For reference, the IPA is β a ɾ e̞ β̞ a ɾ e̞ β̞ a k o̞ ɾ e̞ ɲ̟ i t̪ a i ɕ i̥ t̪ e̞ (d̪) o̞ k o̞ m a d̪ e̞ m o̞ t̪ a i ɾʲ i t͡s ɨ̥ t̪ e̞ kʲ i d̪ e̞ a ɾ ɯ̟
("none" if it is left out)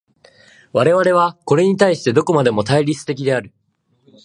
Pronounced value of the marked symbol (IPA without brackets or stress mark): d̪